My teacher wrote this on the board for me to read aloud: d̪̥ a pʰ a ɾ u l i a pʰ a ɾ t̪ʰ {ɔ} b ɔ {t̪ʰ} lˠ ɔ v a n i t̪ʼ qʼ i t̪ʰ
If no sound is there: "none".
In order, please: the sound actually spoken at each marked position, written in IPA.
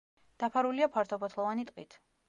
ɔ, t̪ʰ

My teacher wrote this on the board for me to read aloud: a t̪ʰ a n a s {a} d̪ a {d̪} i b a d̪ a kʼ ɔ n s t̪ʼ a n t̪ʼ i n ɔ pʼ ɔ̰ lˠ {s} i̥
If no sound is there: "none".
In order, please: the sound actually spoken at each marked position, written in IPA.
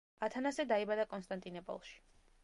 ɛ, none, ʃ

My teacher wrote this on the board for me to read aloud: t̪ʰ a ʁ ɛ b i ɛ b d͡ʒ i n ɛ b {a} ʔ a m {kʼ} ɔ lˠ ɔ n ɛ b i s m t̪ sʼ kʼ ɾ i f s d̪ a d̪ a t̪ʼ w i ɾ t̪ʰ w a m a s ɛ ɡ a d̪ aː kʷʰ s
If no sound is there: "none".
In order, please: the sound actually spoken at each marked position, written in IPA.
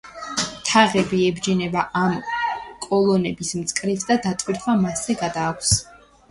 a, kʼ

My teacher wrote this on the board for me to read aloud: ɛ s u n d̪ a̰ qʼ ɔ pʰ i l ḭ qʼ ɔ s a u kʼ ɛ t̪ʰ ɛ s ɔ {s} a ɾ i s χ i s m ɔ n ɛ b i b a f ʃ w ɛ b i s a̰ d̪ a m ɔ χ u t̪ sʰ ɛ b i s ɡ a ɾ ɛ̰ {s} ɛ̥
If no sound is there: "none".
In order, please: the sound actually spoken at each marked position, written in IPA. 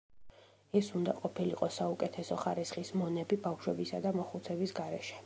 χ, ʃ

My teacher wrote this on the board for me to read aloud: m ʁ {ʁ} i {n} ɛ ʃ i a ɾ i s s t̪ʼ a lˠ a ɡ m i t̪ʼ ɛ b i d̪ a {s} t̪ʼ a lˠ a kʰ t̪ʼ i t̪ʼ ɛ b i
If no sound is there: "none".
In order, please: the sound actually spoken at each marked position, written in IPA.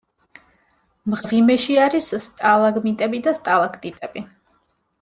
ʁ, m, s

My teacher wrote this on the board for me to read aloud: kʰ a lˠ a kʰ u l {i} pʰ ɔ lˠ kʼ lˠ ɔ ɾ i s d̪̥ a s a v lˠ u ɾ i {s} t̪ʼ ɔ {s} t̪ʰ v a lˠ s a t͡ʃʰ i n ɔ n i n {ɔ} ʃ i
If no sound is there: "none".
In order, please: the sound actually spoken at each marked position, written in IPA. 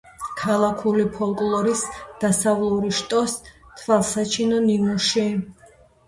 i, ʃ, s, u

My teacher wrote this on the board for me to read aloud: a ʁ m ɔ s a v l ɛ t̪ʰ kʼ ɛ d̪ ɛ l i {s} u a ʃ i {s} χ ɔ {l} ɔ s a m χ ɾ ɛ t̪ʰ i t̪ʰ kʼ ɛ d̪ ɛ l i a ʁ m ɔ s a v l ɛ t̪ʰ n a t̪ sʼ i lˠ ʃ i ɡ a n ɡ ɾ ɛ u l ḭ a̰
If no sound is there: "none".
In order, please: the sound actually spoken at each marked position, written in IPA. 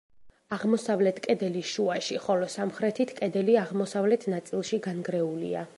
ʃ, none, l

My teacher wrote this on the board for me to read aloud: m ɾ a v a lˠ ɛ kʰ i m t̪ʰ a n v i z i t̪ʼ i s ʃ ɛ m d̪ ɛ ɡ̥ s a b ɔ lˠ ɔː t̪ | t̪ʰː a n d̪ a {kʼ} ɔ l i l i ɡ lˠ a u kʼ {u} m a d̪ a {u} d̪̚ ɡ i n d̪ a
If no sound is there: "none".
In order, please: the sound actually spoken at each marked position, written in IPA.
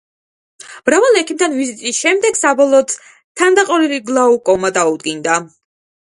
qʼ, ɔ, u

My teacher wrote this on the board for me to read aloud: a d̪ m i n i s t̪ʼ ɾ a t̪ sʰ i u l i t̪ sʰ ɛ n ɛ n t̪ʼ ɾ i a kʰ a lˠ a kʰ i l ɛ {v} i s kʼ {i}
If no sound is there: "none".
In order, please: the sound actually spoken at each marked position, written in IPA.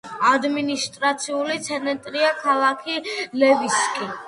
v, i

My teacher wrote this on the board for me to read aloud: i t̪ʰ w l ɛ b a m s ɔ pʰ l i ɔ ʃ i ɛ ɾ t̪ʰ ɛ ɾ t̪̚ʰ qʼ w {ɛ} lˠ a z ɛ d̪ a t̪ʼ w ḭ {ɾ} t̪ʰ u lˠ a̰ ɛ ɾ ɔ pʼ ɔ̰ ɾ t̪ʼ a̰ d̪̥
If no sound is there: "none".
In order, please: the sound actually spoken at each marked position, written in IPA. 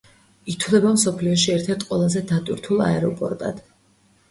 ɛ, ɾ

